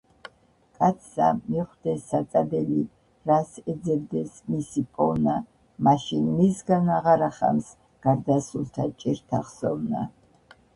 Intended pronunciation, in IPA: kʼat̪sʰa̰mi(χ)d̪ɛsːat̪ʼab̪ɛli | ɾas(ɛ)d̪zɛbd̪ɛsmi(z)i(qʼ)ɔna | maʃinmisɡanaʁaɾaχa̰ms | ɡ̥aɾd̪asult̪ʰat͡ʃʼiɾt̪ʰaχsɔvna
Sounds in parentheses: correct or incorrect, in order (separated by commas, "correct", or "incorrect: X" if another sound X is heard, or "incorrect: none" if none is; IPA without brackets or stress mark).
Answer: correct, correct, incorrect: s, incorrect: pʼ